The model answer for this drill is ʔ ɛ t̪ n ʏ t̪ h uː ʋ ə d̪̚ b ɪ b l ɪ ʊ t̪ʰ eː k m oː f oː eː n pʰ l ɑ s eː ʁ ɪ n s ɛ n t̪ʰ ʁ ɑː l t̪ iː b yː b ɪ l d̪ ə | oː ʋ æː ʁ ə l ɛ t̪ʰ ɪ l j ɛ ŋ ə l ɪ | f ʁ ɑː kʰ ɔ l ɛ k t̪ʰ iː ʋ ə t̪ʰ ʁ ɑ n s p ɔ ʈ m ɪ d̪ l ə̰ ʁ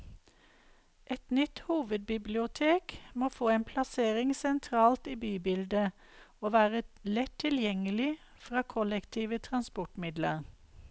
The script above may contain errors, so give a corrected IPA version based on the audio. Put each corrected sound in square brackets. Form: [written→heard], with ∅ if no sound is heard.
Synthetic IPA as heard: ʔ ɛ t̪ n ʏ t̪ h uː ʋ ə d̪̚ b ɪ b l ɪ ʊ t̪ʰ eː k m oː f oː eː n pʰ l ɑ s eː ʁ ɪ [n→ŋ] s ɛ n t̪ʰ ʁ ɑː l t̪ iː b yː b ɪ l d̪ ə | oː ʋ æː ʁ ə l ɛ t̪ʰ ɪ l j ɛ ŋ ə l ɪ | f ʁ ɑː kʰ ɔ l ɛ k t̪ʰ iː ʋ ə t̪ʰ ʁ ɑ n s p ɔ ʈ m ɪ d̪ l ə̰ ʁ